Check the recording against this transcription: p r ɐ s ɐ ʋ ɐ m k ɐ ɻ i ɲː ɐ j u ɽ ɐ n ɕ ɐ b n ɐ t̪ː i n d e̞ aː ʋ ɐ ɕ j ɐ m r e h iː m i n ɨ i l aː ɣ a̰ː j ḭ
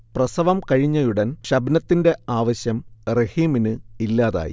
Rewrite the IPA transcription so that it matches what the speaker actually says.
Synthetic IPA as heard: p r ɐ s ɐ ʋ ɐ m k ɐ ɻ i ɲː ɐ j u ɽ ɐ n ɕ ɐ b n ɐ t̪ː i n d e̞ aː ʋ ɐ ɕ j ɐ m r e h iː m i n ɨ i lː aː ð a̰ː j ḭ